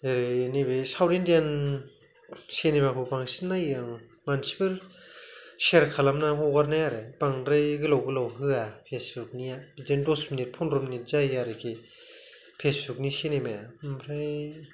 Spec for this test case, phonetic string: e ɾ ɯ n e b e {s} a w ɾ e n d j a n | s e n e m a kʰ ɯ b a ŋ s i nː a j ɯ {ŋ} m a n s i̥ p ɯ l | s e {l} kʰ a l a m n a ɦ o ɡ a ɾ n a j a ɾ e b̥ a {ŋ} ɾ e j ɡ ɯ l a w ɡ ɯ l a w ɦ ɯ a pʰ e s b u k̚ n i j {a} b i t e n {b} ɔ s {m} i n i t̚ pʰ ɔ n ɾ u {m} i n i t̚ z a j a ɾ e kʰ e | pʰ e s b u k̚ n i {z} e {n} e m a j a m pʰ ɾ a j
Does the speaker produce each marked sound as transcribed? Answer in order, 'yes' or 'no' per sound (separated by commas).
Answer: yes, yes, no, yes, yes, no, yes, yes, no, yes